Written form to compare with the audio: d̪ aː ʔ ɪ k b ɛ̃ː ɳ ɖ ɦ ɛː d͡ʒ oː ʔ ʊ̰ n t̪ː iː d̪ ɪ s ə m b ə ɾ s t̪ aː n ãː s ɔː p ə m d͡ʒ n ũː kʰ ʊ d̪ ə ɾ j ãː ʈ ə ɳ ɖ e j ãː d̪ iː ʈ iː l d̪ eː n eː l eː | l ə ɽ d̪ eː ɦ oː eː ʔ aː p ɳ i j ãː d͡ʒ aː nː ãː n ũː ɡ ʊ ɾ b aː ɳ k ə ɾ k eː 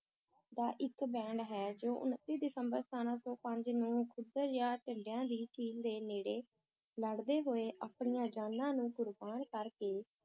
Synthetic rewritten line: d̪ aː ʔ ɪ k b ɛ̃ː ɳ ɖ ɦ ɛː d͡ʒ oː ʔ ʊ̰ n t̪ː iː d̪ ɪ s ə m b ə ɾ s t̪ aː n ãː s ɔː p ə ɲ d͡ʒ n ũː kʰ ʊ d̪ ə ɾ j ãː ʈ ə ɳ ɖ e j ãː d̪ iː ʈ iː l d̪ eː n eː ɽ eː | l ə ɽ d̪ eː ɦ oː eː ʔ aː p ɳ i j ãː d͡ʒ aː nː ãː n ũː ɡ ʊ ɾ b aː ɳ k ə ɾ k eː